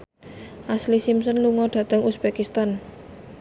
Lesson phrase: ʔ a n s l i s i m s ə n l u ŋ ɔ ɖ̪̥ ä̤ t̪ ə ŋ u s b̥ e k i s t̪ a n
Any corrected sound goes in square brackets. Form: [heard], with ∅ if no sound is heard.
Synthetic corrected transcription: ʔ a [∅] s l i s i m s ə n l u ŋ ɔ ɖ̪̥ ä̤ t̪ ə ŋ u s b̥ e k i s t̪ a n